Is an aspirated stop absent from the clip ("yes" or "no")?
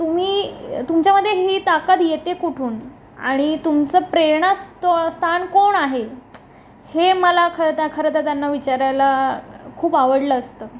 no